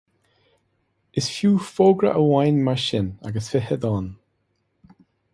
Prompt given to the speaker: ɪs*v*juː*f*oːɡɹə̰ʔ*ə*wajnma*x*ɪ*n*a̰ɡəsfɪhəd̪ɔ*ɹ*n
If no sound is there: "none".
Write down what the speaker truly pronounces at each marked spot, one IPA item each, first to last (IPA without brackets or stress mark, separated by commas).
f, f, ə, ʃ, n, none